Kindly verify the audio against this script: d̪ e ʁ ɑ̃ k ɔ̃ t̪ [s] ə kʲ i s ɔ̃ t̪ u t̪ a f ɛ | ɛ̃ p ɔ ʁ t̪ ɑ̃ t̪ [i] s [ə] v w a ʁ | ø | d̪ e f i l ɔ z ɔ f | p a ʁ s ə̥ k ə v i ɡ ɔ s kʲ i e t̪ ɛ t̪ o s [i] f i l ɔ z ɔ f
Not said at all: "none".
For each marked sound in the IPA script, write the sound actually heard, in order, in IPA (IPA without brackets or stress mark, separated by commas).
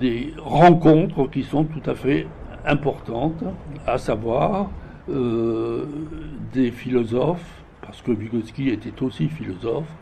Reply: χ, a, a, i